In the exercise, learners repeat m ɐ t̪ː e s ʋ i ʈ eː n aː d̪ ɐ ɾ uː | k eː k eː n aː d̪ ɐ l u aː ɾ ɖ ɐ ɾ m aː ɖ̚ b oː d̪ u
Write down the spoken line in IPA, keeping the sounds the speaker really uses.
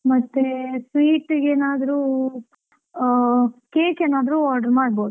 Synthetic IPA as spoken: m ɐ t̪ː e s ʋ iː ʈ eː n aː d̪ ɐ ɾ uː | k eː k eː n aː d̪ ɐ ɾ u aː ɾ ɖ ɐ ɾ m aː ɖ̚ b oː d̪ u